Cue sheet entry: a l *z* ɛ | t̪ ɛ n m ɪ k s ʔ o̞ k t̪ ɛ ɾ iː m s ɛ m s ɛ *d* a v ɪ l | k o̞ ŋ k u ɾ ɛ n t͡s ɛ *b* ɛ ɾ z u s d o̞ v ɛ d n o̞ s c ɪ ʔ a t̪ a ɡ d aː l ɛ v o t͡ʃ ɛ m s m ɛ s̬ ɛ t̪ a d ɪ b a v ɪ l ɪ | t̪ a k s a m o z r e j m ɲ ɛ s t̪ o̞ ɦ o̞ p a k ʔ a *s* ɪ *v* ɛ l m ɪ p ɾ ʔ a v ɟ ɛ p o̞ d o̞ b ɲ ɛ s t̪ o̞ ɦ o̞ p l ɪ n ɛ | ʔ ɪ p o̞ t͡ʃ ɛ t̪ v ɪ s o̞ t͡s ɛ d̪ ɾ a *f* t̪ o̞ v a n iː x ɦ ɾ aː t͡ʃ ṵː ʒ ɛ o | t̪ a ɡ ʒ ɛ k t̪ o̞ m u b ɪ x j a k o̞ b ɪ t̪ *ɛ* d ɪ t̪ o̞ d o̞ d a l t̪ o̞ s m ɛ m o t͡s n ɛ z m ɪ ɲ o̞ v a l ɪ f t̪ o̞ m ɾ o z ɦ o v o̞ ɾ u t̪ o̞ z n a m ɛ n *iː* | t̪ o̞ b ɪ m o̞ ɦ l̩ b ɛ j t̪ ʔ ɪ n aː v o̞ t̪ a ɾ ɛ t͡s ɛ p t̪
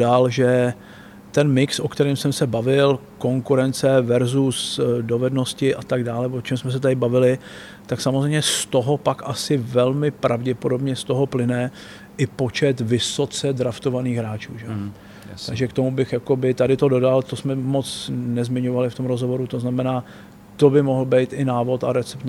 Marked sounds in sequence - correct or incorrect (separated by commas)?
incorrect, incorrect, incorrect, correct, correct, correct, incorrect, incorrect